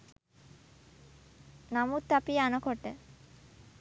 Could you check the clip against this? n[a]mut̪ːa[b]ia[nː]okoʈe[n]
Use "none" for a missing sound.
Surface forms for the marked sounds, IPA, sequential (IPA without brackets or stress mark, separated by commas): a, p, n, none